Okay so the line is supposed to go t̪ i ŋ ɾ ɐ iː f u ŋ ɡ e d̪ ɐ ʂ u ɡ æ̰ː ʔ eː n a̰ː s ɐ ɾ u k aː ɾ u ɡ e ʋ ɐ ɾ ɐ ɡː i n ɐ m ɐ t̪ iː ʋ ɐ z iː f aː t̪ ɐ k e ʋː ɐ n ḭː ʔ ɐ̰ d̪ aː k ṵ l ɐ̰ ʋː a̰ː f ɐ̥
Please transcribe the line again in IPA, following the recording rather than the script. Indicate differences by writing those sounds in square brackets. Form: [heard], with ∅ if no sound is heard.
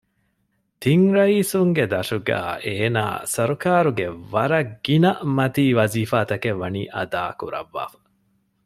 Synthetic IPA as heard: t̪ i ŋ ɾ ɐ iː [s] u ŋ ɡ e d̪ ɐ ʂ u ɡ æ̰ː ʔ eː n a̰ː s ɐ ɾ u k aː ɾ u ɡ e ʋ ɐ ɾ ɐ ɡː i n ɐ m ɐ t̪ iː ʋ ɐ z iː f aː t̪ ɐ k e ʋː ɐ n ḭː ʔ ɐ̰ d̪ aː k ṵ [ɾ] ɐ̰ ʋː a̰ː f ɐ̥